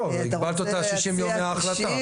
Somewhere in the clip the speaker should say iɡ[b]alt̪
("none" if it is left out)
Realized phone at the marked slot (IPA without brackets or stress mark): b